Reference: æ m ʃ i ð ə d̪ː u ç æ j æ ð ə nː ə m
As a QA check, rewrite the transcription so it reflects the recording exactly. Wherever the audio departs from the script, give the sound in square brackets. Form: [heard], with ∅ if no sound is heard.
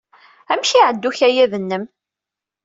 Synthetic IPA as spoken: æ m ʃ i [ʕ] ə d̪ː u ç æ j æ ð ə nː ə m